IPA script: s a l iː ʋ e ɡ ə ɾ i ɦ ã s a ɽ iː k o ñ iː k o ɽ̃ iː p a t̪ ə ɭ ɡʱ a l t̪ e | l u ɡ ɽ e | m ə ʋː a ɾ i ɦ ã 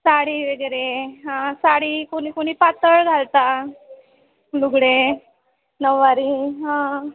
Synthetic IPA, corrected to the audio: s a ɽ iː ʋ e ɡ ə ɾ e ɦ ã s a ɽ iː k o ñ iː k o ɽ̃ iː p a t̪ ə ɭ ɡʱ a l t̪ a | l u ɡ ɽ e | n ə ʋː a ɾ i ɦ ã